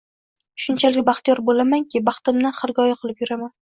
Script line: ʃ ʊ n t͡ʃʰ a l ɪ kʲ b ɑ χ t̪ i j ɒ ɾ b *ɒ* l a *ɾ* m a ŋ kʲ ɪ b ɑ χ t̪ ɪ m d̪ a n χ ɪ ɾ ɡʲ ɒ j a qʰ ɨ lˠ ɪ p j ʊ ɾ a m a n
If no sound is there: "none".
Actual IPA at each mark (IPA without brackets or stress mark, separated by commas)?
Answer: o, none